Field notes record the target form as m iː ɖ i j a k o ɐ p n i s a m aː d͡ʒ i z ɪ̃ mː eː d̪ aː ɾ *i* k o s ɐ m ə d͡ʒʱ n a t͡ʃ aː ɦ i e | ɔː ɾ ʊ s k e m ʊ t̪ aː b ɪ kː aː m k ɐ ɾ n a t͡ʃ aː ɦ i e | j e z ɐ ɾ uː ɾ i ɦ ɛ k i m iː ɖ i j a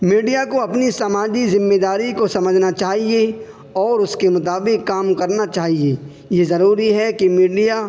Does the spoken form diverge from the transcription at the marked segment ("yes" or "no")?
no